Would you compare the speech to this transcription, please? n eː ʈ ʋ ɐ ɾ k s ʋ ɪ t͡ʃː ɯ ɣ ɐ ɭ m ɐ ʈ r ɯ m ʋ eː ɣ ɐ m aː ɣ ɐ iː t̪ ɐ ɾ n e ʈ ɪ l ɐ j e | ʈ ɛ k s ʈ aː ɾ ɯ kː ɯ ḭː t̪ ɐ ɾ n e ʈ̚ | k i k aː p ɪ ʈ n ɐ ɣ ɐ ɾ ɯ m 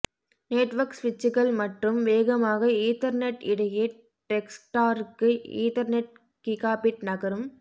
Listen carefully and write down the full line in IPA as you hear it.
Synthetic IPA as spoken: n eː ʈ ʋ ɐ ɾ k s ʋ ɪ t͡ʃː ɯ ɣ ɐ ɭ m ɐ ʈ r ɯ m ʋ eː ɣ ɐ m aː ɣ ɐ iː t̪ ɐ ɾ n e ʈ ɪ ɽ ɐ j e | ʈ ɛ k s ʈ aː ɾ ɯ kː ɯ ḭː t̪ ɐ ɾ n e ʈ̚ | k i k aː p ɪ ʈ n ɐ ɣ ɐ ɾ ɯ m

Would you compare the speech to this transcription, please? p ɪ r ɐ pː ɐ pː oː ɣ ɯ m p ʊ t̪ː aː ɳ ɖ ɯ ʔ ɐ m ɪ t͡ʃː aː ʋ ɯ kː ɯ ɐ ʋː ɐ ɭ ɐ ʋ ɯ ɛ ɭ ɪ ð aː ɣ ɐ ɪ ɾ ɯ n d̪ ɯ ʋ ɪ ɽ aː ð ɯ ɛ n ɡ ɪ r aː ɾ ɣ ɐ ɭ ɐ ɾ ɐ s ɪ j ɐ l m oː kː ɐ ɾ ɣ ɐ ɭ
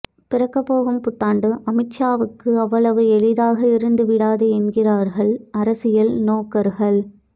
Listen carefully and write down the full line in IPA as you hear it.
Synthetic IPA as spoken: p ɪ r ɐ kː ɐ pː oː ɣ ɯ m p ʊ t̪ː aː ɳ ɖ ɯ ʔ ɐ m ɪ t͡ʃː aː ʋ ɯ kː ɯ ɐ ʋː ɐ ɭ ɐ ʋ ɯ ɛ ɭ ɪ ð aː ɣ ɐ ɪ ɾ ɯ n d̪ ɯ ʋ ɪ ɽ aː ð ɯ ɛ n ɡ ɪ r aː ɾ ɣ ɐ ɭ ɐ ɾ ɐ s ɪ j ɐ l n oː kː ɐ ɾ ɣ ɐ ɭ

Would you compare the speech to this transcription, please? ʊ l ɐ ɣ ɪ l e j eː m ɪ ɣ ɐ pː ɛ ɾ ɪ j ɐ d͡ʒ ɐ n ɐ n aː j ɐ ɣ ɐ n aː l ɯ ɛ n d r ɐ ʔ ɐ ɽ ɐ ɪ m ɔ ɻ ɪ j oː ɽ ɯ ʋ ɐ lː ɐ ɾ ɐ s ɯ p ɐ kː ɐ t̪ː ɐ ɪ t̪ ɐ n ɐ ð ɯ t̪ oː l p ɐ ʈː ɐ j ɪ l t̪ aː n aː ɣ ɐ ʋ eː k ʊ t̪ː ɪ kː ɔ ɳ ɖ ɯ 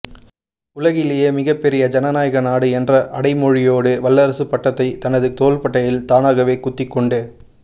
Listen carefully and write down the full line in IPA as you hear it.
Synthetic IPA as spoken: ʊ l ɐ ɣ ɪ l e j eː m ɪ ɣ ɐ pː ɛ ɾ ɪ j ɐ d͡ʒ ɐ n ɐ n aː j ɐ ɣ ɐ n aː ɽ ɯ ɛ n d r ɐ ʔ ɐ ɽ ɐ ɪ m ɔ ɻ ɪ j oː ɽ ɯ ʋ ɐ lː ɐ ɾ ɐ s ɯ p ɐ ʈː ɐ t̪ː ɐ ɪ t̪ ɐ n ɐ ð ɯ t̪ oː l p ɐ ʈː ɐ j ɪ l t̪ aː n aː ɣ ɐ ʋ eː k ʊ t̪ː ɪ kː ɔ ɳ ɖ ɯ

